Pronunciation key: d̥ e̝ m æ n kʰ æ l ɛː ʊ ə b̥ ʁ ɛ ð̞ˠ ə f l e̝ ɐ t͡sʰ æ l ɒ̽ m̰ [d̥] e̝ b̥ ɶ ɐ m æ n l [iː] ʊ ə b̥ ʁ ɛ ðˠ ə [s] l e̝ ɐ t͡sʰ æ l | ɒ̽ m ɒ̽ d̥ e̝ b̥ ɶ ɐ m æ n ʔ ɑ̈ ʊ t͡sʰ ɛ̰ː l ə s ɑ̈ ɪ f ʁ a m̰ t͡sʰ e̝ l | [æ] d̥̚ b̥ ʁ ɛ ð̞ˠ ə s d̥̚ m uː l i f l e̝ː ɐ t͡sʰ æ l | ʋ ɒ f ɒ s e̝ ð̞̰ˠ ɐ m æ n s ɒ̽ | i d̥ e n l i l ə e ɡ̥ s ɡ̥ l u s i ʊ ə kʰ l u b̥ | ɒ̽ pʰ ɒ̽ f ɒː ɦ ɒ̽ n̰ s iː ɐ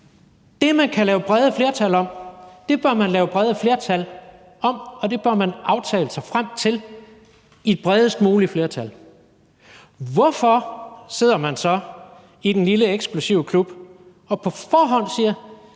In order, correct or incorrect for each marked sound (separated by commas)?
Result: correct, incorrect, incorrect, incorrect